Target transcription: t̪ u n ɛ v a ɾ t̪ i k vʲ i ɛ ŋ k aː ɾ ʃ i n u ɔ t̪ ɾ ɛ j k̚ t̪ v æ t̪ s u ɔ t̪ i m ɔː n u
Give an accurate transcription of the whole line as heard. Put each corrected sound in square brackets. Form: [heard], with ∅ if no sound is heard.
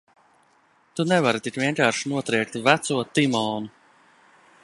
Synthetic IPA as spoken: t̪ u n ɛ v a ɾ t̪ i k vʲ i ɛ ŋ k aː ɾ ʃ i n u ɔ t̪ ɾ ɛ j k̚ t̪ v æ t̪ s u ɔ t̪ i m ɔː n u